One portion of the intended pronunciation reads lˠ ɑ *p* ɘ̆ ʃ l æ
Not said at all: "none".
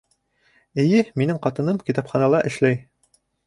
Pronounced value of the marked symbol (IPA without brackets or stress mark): ʔ